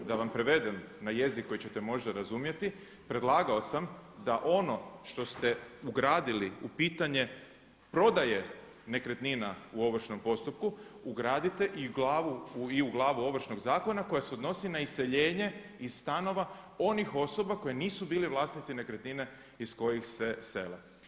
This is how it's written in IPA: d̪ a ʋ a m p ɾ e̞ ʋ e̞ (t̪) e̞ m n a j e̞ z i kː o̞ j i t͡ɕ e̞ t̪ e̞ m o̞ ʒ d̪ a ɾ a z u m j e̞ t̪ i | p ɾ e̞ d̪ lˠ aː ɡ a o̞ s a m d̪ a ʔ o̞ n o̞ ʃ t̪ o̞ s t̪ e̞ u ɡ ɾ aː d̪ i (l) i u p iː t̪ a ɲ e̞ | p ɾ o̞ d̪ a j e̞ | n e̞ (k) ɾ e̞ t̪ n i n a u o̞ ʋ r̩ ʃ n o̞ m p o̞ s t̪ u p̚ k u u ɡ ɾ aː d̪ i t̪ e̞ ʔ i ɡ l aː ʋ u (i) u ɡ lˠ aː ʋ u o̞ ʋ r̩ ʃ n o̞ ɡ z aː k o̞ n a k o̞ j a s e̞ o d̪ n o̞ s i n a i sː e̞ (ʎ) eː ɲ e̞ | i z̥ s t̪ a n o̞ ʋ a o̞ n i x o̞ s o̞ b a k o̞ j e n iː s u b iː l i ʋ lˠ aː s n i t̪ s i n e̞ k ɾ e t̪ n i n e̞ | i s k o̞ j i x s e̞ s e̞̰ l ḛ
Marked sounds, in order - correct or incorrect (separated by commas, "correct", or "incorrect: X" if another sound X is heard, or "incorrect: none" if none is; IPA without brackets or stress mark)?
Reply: incorrect: d̪, correct, correct, correct, correct